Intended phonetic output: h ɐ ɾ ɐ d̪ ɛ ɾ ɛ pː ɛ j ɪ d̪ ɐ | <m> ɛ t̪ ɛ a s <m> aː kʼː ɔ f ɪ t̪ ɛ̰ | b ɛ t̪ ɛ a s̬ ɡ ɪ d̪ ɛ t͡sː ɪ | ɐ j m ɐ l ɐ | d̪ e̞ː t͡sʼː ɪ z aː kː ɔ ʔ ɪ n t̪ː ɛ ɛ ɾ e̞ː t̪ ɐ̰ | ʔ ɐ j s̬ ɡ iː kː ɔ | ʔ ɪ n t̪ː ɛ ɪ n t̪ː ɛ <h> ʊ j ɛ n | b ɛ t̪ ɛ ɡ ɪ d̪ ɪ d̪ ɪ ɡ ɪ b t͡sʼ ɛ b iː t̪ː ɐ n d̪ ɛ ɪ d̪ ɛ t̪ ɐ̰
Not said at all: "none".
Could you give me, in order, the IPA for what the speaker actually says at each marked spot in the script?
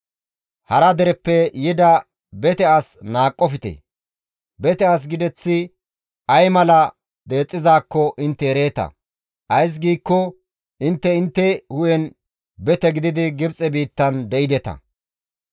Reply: b, n, h

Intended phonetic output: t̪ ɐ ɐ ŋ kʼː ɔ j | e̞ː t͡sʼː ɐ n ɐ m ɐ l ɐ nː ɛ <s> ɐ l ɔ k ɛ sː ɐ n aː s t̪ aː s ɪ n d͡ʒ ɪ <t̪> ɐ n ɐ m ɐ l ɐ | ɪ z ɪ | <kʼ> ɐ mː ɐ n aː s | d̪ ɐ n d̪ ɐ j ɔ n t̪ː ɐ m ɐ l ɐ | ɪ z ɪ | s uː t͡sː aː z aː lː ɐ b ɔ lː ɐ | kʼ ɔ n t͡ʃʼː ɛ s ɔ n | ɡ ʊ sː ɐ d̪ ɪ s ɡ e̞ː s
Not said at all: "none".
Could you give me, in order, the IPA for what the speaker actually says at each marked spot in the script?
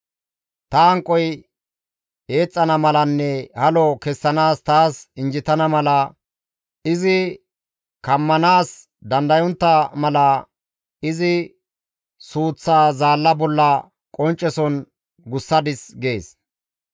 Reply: h, t̪, k

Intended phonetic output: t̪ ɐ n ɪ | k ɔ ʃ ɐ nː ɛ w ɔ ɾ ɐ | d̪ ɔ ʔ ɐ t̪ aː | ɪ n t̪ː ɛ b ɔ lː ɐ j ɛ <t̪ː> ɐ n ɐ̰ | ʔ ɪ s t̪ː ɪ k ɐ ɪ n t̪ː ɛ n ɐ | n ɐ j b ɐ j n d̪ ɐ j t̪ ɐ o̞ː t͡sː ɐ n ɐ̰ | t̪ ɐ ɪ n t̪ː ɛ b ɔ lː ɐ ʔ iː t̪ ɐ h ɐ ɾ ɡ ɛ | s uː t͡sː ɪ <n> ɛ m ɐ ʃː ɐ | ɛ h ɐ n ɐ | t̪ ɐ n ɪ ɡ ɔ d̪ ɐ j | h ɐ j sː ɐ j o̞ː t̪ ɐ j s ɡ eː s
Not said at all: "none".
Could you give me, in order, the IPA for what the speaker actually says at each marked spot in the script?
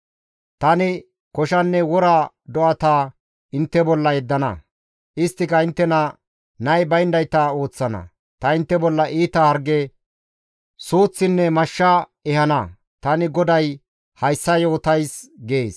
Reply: d̪ː, nː

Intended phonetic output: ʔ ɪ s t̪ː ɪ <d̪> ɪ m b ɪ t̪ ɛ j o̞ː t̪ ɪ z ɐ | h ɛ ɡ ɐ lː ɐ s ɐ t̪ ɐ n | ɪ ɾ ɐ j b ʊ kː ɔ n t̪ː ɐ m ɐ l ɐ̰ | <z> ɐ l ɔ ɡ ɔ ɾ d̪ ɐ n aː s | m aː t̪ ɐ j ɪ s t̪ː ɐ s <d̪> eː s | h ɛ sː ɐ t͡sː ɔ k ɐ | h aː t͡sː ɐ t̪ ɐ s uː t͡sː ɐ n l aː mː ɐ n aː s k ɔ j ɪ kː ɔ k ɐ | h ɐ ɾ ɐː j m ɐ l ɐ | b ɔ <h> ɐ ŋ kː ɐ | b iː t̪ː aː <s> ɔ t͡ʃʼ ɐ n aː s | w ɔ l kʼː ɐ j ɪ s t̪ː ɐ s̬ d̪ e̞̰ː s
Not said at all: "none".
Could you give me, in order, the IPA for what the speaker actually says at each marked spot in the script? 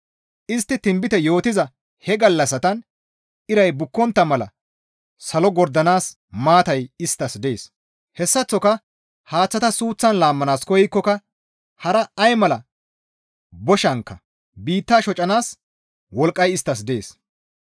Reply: t̪, s, d̪, ʃ, ʃ

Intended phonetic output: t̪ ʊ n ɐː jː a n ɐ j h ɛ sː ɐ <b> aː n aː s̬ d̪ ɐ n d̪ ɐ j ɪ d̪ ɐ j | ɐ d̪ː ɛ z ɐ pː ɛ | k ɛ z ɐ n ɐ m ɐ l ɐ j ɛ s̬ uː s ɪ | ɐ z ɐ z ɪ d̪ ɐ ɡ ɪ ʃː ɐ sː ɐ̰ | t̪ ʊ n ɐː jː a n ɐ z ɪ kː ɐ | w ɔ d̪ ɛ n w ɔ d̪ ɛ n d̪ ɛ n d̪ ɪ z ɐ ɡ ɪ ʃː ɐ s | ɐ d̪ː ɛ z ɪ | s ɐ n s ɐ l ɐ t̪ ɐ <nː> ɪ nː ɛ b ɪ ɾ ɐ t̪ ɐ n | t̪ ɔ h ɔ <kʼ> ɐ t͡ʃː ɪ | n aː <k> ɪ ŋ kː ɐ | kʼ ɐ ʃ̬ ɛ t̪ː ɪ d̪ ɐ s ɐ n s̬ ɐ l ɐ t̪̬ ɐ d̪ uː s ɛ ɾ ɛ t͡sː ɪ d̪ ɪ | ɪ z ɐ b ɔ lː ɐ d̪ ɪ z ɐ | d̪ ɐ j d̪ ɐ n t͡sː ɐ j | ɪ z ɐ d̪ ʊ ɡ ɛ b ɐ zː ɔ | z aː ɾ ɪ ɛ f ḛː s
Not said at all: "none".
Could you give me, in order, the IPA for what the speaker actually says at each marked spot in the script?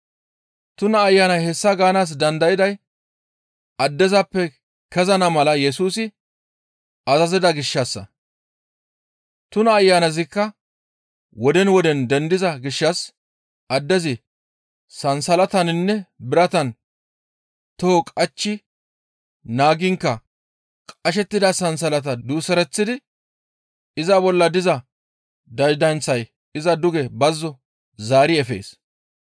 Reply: ɡ, n, kʼ, ɡ

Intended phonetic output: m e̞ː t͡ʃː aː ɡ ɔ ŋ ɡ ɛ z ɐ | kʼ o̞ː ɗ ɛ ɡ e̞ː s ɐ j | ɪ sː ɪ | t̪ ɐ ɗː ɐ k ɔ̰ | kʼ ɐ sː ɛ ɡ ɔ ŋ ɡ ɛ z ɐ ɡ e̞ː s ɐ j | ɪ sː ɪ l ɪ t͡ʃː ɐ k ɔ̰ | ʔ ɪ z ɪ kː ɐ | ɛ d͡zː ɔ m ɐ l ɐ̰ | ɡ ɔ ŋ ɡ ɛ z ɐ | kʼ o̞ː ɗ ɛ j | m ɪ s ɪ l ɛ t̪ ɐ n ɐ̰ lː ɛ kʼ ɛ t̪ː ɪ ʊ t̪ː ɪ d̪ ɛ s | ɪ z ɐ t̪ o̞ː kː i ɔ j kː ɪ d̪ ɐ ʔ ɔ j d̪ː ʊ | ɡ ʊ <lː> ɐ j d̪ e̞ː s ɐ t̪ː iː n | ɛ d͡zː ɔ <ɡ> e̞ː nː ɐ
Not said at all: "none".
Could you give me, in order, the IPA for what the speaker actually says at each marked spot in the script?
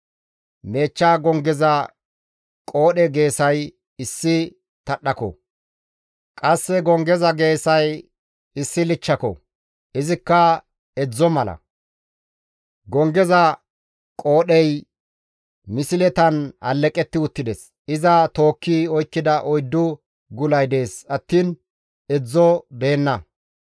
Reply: l, b

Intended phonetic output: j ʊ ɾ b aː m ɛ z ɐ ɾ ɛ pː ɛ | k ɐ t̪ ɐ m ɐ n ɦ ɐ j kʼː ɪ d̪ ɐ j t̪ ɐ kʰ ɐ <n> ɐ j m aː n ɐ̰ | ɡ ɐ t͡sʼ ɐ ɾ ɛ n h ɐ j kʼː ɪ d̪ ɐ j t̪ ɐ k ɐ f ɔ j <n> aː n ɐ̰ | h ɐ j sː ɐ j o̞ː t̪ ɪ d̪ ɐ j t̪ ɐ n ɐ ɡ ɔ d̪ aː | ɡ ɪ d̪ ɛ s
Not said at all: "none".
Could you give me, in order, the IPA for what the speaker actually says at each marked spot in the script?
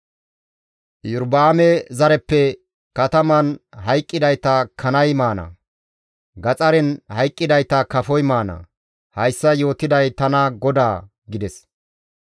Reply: n, m

